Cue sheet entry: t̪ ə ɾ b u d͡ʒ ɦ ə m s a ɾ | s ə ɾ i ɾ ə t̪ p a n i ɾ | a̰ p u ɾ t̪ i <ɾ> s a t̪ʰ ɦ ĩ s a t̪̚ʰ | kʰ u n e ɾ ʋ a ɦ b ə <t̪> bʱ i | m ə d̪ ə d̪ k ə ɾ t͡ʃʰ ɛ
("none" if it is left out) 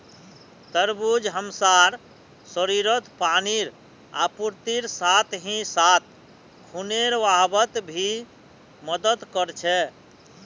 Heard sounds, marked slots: ɾ, t̪

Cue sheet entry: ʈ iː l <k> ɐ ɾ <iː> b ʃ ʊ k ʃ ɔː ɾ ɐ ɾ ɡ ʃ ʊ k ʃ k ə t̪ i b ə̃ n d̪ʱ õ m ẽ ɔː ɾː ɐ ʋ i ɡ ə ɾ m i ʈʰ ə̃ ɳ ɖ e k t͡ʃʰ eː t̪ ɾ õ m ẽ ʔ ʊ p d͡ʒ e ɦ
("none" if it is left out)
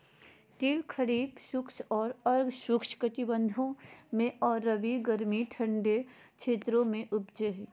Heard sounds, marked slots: kʰ, iː

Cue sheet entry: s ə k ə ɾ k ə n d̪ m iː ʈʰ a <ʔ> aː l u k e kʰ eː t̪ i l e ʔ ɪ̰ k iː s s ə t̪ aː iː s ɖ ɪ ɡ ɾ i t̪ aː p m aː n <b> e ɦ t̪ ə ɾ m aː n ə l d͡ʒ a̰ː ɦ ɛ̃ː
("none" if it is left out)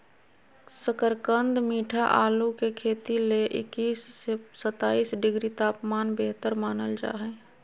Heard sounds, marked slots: ʔ, b

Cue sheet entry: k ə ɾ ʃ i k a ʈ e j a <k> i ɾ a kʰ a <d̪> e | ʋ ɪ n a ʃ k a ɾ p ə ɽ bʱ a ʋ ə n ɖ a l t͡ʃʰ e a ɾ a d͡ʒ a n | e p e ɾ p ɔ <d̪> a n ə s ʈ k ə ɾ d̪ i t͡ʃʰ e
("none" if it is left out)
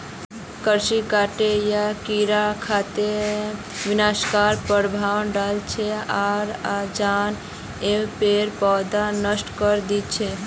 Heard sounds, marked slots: k, t̪, d̪

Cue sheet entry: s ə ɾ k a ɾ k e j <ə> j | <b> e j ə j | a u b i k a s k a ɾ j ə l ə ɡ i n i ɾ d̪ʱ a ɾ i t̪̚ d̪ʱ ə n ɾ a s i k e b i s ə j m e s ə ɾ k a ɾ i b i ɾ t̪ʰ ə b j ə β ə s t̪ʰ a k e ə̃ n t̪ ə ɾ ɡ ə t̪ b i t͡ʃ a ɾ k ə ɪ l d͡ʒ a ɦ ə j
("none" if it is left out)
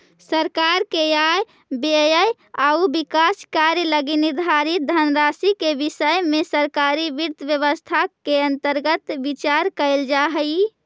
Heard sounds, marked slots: a, b

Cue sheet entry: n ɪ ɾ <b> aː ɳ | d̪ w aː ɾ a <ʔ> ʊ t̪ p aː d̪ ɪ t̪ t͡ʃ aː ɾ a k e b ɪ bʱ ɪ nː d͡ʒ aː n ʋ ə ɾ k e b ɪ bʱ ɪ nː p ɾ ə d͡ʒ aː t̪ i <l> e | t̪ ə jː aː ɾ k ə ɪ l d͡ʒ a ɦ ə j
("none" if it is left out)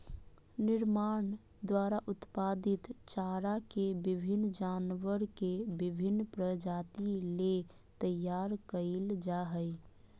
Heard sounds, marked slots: m, ʔ, l

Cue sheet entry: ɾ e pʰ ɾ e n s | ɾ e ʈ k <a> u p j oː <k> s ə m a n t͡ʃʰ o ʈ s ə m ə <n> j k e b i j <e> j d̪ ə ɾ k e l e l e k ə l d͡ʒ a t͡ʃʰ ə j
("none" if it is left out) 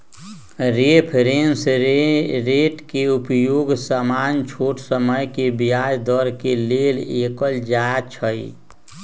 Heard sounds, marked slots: e, ɡ, none, a

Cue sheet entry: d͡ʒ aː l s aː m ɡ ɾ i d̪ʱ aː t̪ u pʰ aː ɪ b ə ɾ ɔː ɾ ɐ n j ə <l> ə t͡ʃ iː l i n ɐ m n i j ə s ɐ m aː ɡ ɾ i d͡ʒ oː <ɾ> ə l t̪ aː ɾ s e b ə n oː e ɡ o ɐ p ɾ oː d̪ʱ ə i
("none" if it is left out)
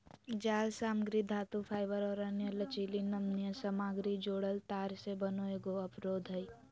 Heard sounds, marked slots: l, ɽ

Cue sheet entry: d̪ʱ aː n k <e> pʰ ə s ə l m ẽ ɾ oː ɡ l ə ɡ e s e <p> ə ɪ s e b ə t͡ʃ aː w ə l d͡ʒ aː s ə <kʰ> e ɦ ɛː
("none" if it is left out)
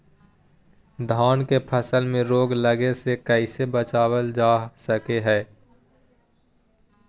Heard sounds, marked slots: e, k, k

